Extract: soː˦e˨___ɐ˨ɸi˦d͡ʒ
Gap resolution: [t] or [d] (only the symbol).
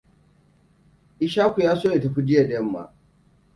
t